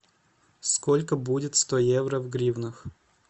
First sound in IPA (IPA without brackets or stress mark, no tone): s